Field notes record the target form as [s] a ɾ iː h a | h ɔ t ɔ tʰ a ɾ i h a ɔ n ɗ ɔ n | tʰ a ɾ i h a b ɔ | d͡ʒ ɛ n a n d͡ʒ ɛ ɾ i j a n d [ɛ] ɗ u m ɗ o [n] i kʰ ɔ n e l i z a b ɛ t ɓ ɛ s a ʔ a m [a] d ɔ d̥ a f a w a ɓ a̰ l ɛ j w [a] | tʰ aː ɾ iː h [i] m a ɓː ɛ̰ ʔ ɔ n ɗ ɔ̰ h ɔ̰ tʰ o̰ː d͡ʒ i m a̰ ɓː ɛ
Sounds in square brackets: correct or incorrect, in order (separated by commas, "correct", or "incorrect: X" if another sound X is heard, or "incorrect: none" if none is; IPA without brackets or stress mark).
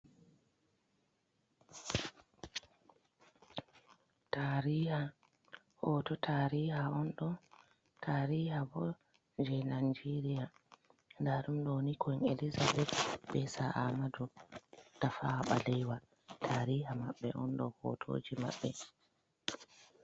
incorrect: t, incorrect: a, correct, correct, correct, incorrect: a